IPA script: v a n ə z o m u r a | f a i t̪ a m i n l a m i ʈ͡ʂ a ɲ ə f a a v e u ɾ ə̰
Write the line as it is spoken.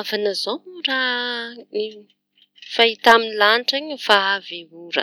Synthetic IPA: v a n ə z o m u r a | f a i t̪ a m i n l a n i ʈ͡ʂ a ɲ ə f a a v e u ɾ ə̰